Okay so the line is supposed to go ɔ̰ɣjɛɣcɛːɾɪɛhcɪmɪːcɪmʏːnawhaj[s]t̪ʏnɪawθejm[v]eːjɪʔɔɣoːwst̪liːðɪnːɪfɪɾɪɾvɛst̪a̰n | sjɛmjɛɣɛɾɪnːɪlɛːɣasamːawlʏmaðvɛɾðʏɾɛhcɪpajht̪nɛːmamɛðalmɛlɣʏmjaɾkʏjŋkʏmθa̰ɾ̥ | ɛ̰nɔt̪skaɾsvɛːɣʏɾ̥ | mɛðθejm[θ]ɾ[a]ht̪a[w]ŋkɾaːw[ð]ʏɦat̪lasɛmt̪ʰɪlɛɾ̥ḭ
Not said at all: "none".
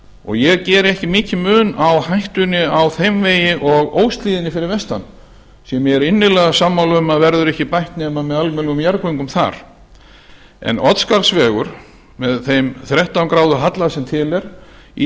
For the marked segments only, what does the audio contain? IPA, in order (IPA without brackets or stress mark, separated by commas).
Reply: h, v, θ, ɛ, w, ð